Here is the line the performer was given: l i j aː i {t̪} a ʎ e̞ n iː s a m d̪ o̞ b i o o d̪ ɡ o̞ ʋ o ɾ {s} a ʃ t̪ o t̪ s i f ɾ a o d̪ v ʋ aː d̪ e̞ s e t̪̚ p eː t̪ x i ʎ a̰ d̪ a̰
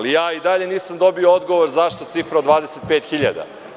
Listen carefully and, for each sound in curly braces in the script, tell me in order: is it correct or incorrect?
incorrect: d̪, incorrect: z

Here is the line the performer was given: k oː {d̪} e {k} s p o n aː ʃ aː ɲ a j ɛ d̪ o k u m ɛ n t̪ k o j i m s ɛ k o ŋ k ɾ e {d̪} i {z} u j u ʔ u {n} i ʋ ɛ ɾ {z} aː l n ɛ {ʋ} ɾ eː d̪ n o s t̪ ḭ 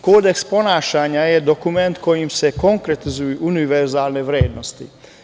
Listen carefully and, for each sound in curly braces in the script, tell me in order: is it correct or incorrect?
correct, correct, incorrect: t̪, correct, correct, correct, correct

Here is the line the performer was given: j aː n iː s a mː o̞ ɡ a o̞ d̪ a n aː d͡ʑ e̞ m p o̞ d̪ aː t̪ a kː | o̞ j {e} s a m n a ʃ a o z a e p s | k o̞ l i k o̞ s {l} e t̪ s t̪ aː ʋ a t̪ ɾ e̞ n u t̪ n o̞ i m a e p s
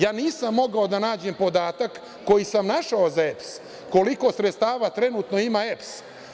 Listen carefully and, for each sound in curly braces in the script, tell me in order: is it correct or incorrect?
incorrect: i, incorrect: ɾ

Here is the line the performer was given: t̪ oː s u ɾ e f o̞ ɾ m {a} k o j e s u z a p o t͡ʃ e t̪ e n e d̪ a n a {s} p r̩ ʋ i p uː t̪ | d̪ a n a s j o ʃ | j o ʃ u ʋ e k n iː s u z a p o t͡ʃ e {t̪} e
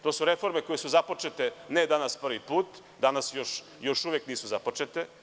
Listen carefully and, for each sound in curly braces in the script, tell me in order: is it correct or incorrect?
incorrect: e, correct, correct

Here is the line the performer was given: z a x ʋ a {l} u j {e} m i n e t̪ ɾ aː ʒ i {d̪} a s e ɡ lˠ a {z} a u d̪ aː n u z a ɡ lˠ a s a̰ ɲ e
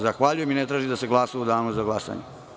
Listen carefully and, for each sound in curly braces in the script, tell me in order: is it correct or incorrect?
incorrect: ʎ, correct, correct, incorrect: s

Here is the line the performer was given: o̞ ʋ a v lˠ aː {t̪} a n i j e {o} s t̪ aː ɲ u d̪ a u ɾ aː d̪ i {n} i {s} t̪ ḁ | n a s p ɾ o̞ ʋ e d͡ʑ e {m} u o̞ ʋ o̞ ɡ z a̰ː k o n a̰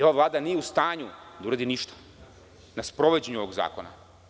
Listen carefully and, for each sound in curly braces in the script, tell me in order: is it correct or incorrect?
incorrect: d̪, incorrect: u, correct, incorrect: ʃ, incorrect: ɲ

